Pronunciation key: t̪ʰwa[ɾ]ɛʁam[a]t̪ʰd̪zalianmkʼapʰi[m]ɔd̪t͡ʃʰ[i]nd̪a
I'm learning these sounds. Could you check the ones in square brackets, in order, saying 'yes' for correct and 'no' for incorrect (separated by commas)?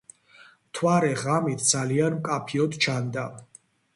yes, no, no, no